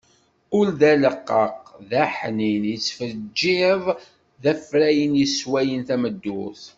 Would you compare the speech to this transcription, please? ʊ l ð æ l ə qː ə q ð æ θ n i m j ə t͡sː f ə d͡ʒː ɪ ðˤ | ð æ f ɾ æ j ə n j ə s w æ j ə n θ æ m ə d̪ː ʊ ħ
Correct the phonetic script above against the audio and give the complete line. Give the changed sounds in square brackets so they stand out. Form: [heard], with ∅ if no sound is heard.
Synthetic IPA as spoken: ʊ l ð æ l ə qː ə q ð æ [ħ] n i [n] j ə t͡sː f ə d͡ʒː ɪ ðˤ | ð æ f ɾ æ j ə n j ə s w æ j ə n θ æ m ə d̪ː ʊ [θ]